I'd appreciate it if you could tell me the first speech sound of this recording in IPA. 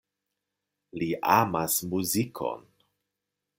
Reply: l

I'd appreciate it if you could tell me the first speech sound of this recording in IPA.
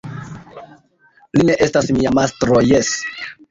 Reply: l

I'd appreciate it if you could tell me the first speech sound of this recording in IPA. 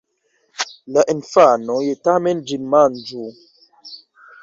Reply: l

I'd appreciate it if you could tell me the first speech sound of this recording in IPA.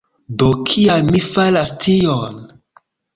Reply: d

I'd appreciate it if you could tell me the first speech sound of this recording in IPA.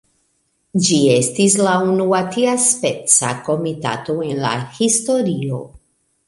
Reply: d͡ʒ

